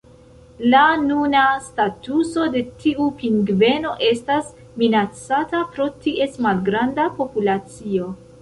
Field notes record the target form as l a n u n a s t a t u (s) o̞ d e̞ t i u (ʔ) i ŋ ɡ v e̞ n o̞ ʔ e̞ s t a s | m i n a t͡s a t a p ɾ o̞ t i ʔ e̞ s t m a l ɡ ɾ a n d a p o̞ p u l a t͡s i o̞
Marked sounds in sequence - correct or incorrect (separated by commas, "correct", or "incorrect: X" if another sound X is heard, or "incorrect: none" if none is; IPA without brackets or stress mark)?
correct, incorrect: p